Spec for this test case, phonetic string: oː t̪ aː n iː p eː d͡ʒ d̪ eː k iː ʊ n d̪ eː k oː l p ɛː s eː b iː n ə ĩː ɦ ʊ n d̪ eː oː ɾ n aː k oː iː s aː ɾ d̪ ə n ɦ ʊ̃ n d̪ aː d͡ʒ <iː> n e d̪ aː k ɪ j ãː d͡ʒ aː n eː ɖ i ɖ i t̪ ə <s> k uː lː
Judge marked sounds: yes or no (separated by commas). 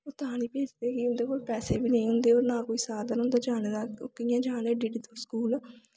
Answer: no, yes